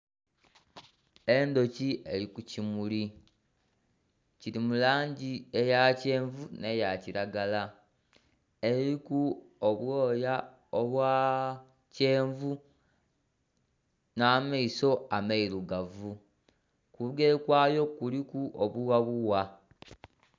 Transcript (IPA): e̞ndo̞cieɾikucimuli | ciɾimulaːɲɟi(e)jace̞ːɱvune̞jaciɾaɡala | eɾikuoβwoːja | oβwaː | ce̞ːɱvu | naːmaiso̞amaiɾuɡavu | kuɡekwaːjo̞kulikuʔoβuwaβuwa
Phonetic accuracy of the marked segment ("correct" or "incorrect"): correct